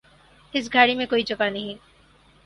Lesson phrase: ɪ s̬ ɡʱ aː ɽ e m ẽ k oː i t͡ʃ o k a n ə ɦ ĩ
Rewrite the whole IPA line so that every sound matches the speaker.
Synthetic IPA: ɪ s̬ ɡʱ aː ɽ i m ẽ k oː i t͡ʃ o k a n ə ɦ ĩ